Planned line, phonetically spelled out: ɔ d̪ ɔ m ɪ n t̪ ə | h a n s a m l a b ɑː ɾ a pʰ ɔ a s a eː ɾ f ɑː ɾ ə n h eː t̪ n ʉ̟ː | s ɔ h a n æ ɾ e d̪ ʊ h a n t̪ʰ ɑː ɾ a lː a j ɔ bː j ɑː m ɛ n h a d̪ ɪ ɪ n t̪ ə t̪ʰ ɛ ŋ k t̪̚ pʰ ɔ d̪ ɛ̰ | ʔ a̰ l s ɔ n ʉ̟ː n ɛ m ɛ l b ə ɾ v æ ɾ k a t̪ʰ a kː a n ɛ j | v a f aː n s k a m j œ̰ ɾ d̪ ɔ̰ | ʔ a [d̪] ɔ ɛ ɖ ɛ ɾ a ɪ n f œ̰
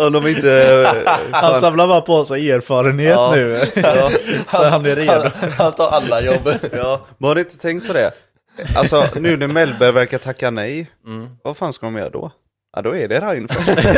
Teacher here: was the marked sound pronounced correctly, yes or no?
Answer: yes